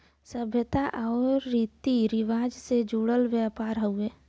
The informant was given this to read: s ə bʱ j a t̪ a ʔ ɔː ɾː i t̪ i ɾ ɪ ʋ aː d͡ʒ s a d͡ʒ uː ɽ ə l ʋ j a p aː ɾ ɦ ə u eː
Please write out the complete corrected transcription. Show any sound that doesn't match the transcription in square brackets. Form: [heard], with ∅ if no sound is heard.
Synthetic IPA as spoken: s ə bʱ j [ə] t̪ a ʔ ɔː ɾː i t̪ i ɾ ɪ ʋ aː d͡ʒ s [e] d͡ʒ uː ɽ ə l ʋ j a p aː ɾ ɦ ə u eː